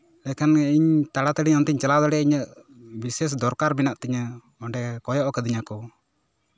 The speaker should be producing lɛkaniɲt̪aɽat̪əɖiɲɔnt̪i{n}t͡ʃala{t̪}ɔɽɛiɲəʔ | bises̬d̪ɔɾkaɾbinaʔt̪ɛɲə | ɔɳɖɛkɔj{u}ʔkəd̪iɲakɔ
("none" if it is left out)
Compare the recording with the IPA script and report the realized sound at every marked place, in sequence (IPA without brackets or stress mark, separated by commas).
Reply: ɲ, d̪, ɔ